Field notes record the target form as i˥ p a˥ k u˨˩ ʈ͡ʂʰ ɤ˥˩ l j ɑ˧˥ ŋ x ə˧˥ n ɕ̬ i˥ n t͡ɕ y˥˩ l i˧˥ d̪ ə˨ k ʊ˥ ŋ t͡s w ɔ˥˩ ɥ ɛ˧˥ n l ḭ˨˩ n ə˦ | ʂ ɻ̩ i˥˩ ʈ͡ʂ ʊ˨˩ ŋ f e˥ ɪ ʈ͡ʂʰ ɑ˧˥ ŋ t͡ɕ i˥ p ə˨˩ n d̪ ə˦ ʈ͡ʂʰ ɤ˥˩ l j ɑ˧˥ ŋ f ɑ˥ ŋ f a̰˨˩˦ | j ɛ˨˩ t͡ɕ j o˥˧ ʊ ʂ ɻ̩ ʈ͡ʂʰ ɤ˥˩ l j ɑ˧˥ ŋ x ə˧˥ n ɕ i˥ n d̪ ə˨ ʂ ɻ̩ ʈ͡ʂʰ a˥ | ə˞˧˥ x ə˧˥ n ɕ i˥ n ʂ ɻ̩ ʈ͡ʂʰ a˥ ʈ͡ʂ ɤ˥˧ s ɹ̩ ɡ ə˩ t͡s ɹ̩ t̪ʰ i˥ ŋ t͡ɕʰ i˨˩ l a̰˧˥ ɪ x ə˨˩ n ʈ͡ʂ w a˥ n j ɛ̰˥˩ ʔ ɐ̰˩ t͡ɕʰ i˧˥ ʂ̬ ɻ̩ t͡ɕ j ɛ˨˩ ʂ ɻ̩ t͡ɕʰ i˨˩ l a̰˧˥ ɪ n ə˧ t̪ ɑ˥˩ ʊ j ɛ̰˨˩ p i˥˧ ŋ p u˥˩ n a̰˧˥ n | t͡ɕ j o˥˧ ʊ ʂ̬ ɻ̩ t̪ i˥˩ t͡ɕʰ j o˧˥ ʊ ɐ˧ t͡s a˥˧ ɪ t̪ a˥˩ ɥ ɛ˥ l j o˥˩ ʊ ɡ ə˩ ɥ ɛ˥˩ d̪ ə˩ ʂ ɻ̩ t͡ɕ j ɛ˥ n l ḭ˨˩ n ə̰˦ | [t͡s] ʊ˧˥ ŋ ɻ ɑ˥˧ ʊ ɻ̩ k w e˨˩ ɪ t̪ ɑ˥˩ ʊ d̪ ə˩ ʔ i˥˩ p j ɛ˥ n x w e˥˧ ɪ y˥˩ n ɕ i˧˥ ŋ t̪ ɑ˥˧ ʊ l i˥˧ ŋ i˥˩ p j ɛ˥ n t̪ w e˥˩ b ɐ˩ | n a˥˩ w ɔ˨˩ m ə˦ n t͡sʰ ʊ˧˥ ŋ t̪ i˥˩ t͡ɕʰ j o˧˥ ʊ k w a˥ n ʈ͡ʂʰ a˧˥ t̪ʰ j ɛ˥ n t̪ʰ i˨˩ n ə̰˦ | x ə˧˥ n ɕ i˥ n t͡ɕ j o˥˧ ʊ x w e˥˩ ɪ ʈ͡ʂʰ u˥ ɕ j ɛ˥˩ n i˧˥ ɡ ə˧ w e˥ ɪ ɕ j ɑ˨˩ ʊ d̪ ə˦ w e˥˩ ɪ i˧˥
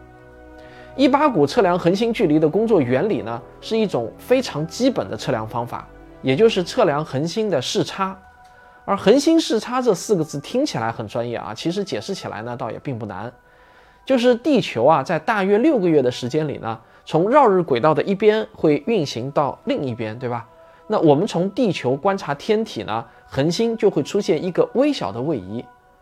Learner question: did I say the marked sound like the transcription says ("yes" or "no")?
no